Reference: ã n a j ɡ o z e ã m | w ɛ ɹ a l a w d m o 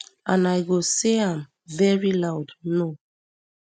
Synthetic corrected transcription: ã n a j ɡ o s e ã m | v ɛ ɹ i l a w d n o